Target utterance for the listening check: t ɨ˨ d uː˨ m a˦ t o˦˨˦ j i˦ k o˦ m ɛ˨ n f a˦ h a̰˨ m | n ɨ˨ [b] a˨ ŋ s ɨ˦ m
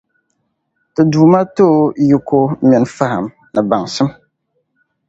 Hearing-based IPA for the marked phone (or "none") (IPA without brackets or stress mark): b